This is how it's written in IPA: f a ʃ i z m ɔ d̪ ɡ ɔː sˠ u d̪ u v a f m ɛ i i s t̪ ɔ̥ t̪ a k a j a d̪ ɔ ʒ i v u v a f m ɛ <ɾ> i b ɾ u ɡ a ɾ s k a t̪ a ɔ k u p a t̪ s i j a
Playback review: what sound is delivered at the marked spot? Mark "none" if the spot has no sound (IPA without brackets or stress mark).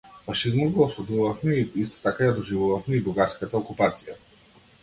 none